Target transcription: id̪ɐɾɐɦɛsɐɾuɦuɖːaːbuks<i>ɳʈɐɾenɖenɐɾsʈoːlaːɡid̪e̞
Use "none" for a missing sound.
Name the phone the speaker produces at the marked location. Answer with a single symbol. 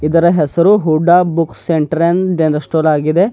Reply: e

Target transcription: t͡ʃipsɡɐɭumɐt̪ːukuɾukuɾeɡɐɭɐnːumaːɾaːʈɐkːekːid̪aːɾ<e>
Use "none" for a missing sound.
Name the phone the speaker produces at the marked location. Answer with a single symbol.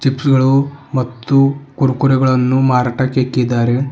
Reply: e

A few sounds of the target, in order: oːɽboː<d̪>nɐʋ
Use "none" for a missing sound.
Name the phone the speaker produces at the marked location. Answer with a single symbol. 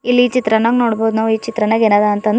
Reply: d̪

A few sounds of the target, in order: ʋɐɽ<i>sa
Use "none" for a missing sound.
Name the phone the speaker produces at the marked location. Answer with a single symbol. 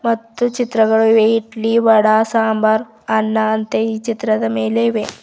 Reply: a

